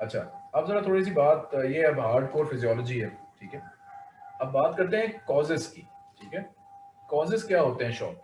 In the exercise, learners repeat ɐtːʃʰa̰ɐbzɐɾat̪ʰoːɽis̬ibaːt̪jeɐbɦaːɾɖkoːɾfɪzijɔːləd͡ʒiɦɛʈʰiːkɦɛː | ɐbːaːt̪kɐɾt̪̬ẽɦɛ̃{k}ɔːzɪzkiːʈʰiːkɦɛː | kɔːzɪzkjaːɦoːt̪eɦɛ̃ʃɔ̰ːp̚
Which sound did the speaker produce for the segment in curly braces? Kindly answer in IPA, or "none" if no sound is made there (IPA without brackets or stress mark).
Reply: k